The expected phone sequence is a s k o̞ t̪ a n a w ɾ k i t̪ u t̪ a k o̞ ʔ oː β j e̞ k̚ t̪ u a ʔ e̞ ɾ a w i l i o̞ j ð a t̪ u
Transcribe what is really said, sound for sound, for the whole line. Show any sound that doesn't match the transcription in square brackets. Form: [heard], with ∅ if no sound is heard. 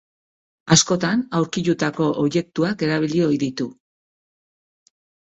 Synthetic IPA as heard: a s k o̞ t̪ a n a w ɾ k i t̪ u t̪ a k o̞ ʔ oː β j e̞ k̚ t̪ u a [k] e̞ ɾ a [β] i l i o̞ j ð [i] t̪ u